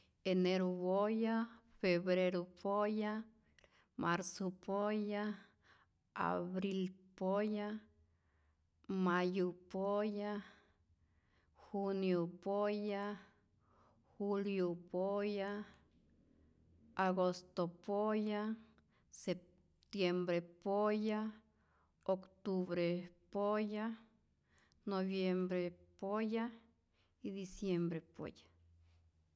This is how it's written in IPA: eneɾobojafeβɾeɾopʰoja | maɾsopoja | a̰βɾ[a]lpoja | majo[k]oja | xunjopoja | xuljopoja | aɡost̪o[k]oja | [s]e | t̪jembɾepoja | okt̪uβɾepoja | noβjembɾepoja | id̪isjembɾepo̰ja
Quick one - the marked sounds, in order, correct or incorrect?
incorrect: i, incorrect: p, incorrect: p, correct

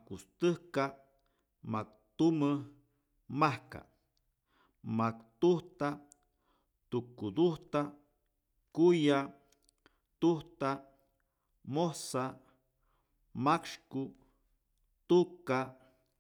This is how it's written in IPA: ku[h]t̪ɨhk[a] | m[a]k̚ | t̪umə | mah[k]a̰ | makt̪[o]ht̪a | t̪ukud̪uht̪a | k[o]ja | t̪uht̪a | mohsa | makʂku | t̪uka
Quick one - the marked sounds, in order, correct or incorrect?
incorrect: s, correct, correct, correct, incorrect: u, incorrect: u

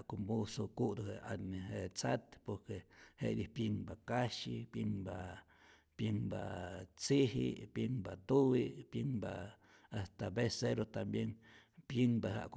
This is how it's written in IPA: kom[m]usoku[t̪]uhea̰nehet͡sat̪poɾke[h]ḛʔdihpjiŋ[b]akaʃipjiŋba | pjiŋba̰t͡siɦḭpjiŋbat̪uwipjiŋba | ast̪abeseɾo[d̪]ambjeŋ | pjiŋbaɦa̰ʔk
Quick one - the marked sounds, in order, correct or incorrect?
incorrect: b, incorrect: d̪, correct, correct, incorrect: t̪

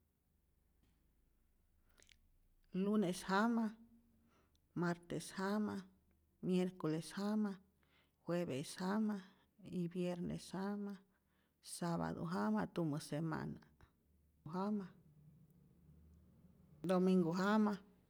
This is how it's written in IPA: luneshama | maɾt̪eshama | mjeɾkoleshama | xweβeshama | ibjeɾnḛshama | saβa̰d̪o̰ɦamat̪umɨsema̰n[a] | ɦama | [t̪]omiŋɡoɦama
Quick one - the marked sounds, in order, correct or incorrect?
correct, incorrect: d̪

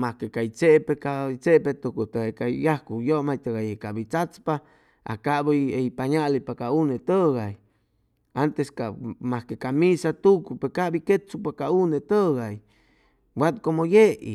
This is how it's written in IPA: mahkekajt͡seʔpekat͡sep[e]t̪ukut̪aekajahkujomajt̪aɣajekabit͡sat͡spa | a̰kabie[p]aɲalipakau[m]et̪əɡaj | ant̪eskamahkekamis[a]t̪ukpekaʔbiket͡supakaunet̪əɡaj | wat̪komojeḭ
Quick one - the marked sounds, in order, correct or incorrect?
correct, correct, incorrect: n, correct

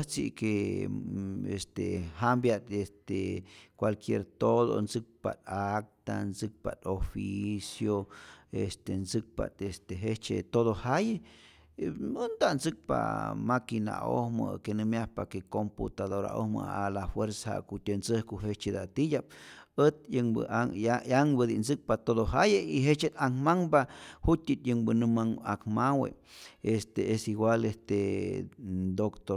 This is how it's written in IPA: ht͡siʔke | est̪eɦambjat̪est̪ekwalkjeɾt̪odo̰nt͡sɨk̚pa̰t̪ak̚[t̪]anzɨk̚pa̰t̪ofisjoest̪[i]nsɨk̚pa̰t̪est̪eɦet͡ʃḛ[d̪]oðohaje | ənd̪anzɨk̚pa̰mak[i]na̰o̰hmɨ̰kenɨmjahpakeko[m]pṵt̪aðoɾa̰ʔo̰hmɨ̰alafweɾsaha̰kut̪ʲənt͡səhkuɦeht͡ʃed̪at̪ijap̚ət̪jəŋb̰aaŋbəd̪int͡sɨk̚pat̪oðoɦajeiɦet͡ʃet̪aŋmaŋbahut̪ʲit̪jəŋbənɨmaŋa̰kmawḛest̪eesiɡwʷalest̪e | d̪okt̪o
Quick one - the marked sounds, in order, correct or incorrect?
correct, incorrect: e, incorrect: t̪, correct, correct

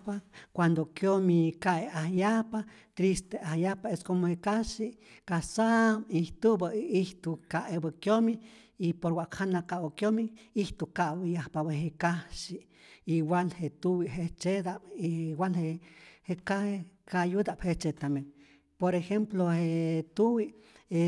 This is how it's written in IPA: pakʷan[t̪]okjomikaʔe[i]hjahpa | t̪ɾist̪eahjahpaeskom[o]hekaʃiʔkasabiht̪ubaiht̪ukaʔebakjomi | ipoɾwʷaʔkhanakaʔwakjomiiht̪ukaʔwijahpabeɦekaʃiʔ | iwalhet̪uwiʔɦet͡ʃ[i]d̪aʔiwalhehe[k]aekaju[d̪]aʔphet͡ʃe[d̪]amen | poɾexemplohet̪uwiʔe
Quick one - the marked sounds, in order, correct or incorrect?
incorrect: d̪, incorrect: a, correct, incorrect: e, correct, correct, incorrect: t̪

